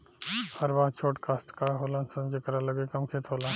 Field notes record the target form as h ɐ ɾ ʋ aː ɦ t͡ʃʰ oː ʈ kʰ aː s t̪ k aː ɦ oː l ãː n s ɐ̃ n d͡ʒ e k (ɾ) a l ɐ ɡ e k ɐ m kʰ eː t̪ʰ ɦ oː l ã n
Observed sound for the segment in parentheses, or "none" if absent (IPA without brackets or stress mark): ɾ